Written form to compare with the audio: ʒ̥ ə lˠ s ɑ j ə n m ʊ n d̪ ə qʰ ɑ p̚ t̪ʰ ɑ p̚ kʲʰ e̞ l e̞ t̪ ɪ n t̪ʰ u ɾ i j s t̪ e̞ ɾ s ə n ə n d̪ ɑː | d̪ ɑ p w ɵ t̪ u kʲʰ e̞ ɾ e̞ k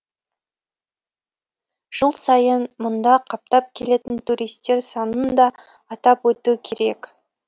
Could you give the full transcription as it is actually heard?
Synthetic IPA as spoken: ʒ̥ ə lˠ s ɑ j ə n m ʊ n d̪ ɑ qʰ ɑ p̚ t̪ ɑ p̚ kʲʰ e̞ l e̞ t̪ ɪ n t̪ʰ u ɾ i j s t̪ e̞ ɾ s ɑ n ə n d̪ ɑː | t̪ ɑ p w ɵ t̪ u kʲʰ e̞ ɾ e̞ k